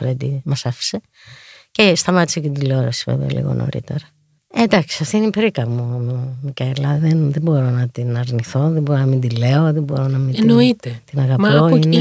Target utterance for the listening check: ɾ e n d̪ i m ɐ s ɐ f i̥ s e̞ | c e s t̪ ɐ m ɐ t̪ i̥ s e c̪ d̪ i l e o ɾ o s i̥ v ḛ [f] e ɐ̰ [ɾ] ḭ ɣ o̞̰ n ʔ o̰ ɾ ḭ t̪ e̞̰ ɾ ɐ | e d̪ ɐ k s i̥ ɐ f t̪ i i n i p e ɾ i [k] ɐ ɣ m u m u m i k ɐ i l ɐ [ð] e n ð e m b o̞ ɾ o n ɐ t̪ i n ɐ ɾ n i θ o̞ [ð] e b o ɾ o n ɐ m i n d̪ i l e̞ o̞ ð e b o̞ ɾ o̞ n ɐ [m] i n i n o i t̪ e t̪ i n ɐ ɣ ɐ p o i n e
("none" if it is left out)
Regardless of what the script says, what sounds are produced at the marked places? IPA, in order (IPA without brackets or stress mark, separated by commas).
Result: v, l, k, ð, ð, m